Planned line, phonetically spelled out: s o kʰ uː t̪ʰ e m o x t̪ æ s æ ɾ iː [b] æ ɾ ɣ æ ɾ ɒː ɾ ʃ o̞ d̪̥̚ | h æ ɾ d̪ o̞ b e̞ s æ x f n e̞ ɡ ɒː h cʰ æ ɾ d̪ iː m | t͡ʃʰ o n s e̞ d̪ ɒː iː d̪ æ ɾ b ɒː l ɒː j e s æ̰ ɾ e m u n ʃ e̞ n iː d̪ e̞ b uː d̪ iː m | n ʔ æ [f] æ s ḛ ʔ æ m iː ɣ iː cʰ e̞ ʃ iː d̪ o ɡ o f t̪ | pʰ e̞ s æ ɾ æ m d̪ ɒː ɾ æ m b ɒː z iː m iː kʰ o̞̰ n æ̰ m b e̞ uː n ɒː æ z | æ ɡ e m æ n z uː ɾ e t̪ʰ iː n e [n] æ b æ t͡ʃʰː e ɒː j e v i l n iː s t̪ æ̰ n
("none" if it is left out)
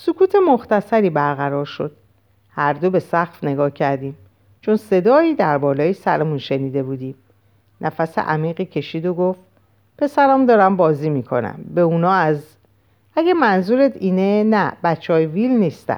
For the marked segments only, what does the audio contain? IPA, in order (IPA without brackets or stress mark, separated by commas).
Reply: b, f, n